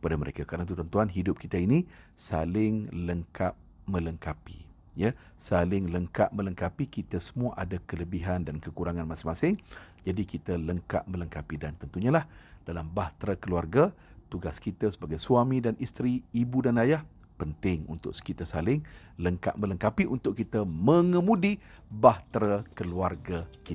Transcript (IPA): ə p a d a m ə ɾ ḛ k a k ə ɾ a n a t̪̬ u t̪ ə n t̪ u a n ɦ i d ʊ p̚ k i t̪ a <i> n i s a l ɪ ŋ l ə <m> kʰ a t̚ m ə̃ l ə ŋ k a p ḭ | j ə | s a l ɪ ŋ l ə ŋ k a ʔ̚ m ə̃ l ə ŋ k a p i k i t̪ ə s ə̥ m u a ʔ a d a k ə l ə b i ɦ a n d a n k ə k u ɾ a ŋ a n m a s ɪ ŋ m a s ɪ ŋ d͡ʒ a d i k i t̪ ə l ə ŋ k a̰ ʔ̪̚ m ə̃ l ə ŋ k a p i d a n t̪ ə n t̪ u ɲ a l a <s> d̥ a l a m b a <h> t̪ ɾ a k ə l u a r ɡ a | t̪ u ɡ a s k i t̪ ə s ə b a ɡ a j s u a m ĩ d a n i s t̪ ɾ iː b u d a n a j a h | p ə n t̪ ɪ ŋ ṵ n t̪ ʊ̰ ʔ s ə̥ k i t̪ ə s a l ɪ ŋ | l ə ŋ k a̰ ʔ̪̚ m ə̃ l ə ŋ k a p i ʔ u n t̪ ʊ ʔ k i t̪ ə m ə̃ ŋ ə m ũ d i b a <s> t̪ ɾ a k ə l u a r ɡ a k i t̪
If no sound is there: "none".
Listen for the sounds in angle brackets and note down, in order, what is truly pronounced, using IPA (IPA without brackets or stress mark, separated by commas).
i, ŋ, h, h, h